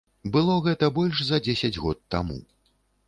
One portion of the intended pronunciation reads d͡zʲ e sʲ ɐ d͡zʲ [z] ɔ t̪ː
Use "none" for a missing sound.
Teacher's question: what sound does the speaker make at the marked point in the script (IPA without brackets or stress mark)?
ɣ